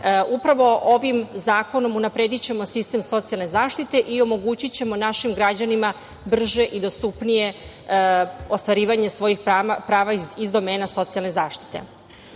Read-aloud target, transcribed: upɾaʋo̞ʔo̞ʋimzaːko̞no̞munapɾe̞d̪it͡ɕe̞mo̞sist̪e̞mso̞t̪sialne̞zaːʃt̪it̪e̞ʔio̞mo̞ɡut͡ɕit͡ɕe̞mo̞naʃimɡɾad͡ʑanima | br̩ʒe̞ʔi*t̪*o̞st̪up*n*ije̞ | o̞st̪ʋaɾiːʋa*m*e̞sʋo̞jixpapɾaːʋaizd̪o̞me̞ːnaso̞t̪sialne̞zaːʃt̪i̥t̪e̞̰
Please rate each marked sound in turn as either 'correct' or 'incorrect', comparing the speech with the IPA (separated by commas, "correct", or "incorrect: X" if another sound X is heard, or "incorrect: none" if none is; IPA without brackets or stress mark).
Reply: incorrect: d̪, correct, incorrect: ɲ